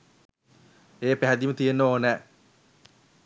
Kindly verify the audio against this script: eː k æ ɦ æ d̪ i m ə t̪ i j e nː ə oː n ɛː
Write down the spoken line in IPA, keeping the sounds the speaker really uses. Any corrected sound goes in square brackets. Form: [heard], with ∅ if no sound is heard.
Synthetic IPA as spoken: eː [p] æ ɦ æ d̪ i m ə t̪ i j e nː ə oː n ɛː